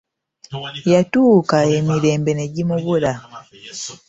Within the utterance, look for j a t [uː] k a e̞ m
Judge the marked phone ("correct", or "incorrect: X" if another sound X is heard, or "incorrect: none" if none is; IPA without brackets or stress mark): correct